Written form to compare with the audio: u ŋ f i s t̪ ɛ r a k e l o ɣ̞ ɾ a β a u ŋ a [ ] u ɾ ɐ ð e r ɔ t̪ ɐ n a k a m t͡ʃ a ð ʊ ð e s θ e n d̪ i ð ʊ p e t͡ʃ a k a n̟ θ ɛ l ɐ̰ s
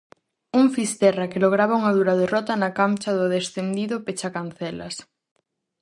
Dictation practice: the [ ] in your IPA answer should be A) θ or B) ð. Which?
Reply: B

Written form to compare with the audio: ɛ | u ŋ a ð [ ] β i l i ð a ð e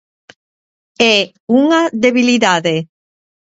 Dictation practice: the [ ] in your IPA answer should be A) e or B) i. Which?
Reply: A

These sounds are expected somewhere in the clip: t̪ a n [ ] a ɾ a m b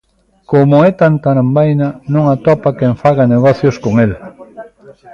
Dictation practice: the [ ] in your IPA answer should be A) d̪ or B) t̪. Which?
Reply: B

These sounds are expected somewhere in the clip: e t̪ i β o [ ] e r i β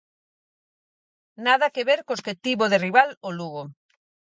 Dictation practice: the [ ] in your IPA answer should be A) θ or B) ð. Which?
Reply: B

